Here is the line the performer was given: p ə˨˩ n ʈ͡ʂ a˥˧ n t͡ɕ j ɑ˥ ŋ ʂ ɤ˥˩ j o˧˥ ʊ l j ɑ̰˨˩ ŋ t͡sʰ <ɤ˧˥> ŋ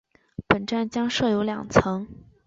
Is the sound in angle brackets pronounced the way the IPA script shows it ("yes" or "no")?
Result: yes